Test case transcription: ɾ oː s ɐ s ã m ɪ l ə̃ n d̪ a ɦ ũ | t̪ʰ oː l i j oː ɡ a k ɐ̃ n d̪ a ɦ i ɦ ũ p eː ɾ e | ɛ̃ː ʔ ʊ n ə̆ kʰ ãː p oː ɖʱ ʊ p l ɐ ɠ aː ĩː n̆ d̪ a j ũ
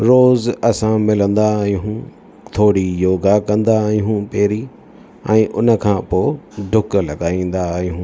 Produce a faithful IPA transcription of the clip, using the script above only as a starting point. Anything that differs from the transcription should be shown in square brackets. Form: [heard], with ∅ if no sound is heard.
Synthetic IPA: ɾ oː [z] ɐ s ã m ɪ l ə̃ n d̪ a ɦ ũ | t̪ʰ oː [ɽ] i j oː ɡ a k ɐ̃ n d̪ a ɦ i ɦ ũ p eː ɾ [i] | ɛ̃ː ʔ ʊ n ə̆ kʰ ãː p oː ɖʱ ʊ [k] l ɐ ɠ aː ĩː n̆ d̪ a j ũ